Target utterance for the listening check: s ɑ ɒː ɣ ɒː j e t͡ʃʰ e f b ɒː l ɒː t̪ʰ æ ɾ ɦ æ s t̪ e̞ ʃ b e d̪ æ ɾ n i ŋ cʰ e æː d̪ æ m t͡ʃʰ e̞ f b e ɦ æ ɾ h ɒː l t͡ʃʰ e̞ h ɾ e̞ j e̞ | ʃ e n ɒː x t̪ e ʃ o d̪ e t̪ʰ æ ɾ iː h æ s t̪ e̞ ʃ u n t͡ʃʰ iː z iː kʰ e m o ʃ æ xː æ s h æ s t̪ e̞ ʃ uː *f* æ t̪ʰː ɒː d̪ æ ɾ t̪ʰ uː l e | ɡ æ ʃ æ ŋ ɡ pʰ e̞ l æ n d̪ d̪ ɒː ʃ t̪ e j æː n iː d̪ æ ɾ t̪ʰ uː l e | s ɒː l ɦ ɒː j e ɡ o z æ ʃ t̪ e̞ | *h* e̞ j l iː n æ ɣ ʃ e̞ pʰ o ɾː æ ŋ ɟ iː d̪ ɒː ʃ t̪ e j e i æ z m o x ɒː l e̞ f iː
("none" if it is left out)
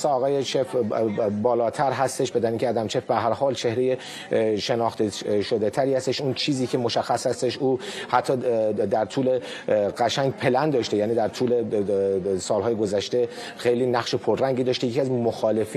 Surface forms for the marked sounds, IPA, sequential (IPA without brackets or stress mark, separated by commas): h, x